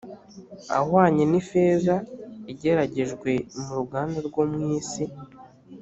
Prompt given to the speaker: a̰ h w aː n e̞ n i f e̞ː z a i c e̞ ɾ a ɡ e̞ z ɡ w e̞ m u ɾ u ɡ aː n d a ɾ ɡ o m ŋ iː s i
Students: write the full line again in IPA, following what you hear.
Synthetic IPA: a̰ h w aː ɲ e̞ n i f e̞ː z a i ɟ e̞ ɾ a ɟ e̞ ʒ ɡ w e̞ m u ɾ u ɡ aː n d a ɾ ɡ o m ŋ iː s i